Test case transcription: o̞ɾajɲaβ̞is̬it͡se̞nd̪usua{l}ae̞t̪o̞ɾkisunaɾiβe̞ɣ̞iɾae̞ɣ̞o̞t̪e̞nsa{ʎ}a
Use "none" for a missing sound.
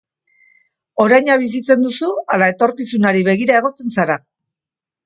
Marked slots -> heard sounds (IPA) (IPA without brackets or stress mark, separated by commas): l, ɾ